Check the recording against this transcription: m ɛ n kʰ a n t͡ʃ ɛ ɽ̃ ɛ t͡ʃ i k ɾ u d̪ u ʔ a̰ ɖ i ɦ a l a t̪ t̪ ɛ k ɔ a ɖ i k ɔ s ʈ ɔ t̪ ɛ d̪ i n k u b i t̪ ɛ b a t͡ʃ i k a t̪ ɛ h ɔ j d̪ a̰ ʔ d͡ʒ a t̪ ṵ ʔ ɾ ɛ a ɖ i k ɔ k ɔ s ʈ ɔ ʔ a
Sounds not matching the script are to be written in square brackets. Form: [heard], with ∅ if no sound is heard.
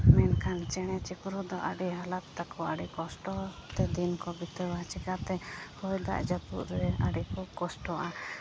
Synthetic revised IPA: m ɛ n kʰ a n t͡ʃ ɛ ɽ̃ ɛ t͡ʃ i k ɾ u d̪ [ɔ] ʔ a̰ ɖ i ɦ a l a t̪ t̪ [a] k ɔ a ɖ i k ɔ s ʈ ɔ t̪ ɛ d̪ i n k [ɔ] b i t̪ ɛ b a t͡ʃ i k a t̪ ɛ h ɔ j d̪ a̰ ʔ d͡ʒ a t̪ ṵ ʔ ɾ ɛ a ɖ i k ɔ k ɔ s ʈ ɔ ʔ a